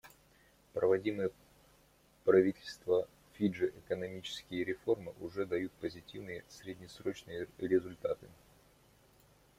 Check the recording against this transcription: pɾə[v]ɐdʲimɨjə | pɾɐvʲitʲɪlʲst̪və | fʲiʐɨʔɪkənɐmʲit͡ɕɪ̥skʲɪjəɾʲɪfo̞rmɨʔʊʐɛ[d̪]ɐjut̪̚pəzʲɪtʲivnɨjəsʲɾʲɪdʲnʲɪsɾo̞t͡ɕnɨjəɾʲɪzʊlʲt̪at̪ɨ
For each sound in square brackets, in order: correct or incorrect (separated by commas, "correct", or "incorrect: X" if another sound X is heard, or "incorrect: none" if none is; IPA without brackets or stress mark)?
correct, correct